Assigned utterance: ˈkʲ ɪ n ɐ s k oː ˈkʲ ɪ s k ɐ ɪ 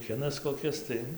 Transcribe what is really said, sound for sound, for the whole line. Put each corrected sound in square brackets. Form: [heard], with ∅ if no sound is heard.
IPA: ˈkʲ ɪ n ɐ s k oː ˈkʲ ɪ s [t] ɐ ɪ